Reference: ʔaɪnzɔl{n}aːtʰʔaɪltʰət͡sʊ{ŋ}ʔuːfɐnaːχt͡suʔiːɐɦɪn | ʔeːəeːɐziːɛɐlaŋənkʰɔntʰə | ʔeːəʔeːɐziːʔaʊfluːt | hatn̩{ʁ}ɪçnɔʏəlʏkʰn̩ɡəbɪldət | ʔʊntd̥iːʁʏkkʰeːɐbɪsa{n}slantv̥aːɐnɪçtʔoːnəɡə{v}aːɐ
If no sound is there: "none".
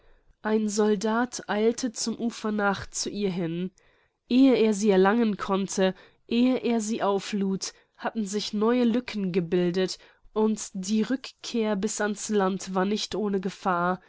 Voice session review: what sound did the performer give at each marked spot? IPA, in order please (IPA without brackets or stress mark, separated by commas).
d, m, z, n, f